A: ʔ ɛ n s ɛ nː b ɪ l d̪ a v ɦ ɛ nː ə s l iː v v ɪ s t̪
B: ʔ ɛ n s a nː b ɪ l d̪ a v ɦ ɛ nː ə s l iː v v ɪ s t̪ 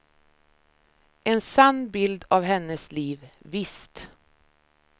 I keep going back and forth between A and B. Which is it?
B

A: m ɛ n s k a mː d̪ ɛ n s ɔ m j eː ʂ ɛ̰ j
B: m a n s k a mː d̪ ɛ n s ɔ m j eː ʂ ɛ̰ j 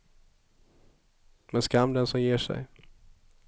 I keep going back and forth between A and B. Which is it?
A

